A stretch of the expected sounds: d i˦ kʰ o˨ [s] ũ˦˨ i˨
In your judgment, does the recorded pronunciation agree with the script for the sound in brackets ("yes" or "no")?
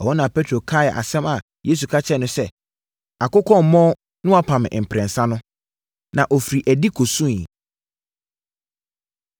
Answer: yes